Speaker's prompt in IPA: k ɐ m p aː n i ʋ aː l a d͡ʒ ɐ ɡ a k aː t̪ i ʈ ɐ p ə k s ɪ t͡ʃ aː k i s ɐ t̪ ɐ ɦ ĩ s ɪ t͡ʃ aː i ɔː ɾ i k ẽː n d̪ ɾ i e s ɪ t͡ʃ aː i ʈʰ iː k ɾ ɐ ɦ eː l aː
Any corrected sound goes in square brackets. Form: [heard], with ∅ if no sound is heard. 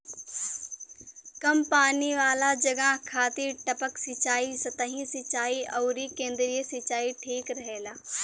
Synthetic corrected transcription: k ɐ m p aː n i ʋ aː l a d͡ʒ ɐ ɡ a [kʰ] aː t̪ i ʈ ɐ p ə k s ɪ t͡ʃ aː [∅] i s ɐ t̪ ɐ ɦ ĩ s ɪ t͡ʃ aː i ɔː ɾ i k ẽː n d̪ ɾ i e s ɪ t͡ʃ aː i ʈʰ iː k ɾ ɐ ɦ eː l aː